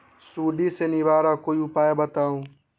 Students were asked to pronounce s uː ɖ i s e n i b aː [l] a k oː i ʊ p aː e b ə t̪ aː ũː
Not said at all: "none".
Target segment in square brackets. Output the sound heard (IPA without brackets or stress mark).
ɾ